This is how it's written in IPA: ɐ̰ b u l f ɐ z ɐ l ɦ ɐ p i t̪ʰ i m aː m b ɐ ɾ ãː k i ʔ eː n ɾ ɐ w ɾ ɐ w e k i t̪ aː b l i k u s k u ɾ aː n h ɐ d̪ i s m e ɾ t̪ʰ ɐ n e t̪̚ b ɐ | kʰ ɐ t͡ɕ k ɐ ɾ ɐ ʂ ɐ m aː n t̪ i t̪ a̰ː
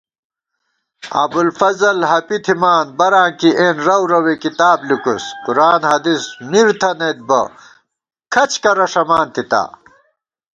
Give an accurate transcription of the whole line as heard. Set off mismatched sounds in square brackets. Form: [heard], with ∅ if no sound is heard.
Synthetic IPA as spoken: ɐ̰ b u l f ɐ z ɐ l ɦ ɐ p i t̪ʰ i m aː [n] b ɐ ɾ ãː k i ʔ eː n ɾ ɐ w ɾ ɐ w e k i t̪ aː b l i k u s k u ɾ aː n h ɐ d̪ i s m [i] ɾ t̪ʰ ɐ n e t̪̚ b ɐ | kʰ ɐ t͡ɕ k ɐ ɾ ɐ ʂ ɐ m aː n t̪ i t̪ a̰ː

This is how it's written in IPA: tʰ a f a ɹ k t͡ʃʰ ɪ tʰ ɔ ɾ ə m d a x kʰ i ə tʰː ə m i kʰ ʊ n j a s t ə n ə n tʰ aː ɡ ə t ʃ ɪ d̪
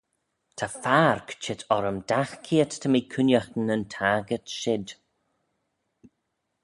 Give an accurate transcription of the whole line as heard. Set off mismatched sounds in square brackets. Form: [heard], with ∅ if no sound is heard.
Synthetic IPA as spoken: tʰ a f a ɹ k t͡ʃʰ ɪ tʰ ɔ ɾ ə m d a x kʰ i ə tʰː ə m i kʰ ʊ n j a [x] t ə n ə n tʰ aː ɡ ə t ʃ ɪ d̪

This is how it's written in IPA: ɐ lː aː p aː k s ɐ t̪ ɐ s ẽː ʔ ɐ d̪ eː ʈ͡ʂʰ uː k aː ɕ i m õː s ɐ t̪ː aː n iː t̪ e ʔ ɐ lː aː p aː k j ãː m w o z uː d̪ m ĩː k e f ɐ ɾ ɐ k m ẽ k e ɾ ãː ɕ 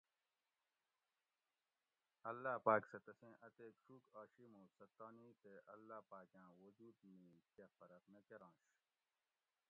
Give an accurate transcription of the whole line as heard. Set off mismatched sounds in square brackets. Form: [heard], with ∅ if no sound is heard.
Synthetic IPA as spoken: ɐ lː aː p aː k s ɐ t̪ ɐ s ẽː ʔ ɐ [t̪] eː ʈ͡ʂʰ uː k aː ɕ i m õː s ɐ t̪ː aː n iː t̪ e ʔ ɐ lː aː p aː k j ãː [∅] w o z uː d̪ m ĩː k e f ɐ ɾ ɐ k m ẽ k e ɾ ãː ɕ

